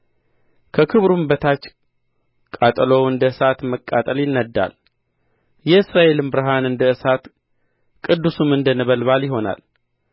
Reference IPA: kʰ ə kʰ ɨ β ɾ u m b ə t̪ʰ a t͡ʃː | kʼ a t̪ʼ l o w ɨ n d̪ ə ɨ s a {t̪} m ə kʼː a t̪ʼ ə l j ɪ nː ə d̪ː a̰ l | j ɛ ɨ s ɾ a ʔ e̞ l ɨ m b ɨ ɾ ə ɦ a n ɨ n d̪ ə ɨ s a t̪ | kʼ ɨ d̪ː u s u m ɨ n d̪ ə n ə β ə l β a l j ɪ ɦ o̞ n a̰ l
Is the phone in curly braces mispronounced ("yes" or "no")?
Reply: no